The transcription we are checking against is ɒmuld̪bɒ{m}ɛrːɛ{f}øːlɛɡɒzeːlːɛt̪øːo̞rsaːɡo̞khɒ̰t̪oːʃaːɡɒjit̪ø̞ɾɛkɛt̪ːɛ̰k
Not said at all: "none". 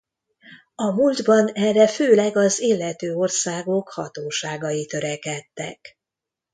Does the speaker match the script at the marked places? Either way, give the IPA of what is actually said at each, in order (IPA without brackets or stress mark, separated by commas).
n, f